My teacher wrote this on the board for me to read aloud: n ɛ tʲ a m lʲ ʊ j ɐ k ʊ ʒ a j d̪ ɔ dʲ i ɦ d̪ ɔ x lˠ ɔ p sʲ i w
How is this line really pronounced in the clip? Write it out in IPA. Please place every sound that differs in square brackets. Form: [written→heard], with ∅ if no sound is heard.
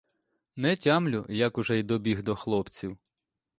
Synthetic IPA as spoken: n ɛ tʲ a m lʲ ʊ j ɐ k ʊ ʒ [a→ɛ] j d̪ ɔ [dʲ→bʲ] i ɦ d̪ ɔ x lˠ ɔ p [sʲ→t͡sʲ] i w